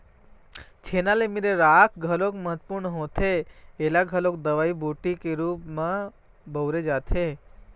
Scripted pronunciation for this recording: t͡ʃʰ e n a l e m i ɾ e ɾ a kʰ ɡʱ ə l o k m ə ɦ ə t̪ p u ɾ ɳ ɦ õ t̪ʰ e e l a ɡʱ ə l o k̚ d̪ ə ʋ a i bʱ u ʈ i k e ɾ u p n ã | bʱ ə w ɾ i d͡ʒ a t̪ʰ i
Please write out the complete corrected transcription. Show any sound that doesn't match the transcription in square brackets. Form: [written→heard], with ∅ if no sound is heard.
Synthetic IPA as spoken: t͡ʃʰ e n a l e m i ɾ e ɾ a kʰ ɡʱ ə l o k m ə ɦ ə t̪ p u ɾ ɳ ɦ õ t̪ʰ e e l a ɡʱ ə l o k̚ d̪ ə ʋ a i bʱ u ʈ i k e ɾ u p [n→m] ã | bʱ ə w ɾ [i→e] d͡ʒ a t̪ʰ [i→e]